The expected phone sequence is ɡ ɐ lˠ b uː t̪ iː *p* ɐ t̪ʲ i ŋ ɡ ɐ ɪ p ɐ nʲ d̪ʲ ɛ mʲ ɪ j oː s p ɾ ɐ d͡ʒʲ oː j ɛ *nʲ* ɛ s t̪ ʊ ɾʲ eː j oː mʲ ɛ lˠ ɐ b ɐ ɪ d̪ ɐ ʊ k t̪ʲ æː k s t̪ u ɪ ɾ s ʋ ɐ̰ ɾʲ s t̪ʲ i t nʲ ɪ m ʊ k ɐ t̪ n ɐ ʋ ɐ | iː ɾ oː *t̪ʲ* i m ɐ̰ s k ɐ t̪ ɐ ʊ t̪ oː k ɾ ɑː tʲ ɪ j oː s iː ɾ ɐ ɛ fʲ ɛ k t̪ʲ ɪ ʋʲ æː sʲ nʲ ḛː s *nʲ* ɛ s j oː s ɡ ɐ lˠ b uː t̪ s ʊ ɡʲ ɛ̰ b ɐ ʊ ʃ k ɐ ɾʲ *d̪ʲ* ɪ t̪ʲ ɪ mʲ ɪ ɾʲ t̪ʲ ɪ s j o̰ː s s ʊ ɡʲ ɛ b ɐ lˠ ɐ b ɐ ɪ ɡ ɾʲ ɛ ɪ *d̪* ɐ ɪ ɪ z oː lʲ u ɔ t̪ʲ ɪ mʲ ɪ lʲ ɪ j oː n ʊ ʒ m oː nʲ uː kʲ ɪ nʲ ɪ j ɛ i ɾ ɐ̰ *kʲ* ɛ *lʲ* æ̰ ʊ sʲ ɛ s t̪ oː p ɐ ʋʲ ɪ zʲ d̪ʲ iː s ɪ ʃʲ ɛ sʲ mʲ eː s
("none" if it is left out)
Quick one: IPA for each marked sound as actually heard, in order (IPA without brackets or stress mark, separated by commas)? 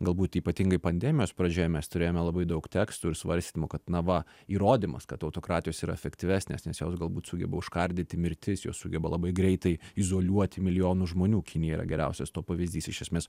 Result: p, mʲ, d̪ʲ, nʲ, d̪ʲ, t̪, ɡʲ, ɾʲ